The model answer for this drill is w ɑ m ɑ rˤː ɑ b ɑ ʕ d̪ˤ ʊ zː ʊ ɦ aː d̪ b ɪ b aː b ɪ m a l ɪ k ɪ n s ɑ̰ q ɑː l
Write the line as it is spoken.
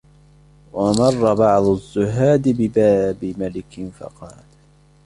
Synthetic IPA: w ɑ m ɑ rˤː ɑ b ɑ ʕ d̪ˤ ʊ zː ʊ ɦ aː d̪ b ɪ b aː b ɪ m a l ɪ k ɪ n f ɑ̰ q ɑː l